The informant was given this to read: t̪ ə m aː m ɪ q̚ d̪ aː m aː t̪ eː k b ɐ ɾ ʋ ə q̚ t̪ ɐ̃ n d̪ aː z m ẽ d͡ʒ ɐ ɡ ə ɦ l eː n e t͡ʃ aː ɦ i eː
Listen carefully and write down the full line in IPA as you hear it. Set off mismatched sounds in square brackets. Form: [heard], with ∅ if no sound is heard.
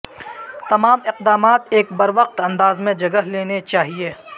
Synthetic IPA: t̪ [ɐ] m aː m ɪ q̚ d̪ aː m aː t̪ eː k b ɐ ɾ ʋ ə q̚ t̪ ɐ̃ n d̪ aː z m ẽ d͡ʒ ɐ ɡ ə ɦ l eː n e t͡ʃ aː ɦ i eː